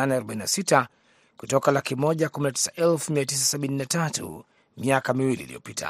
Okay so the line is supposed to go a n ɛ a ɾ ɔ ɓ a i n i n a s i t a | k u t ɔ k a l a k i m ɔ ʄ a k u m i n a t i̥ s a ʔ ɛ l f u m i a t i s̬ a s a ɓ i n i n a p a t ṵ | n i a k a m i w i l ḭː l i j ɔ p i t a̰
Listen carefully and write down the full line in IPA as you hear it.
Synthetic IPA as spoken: a n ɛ a ɾ ɔ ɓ a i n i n a s i t a | k u t ɔ k a l a k i m ɔ ʄ a k u m i n a t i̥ s a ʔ ɛ l f u m i a t i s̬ a s a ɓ i n i n a t a t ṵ | m i a k a m i w i l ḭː l i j ɔ p i t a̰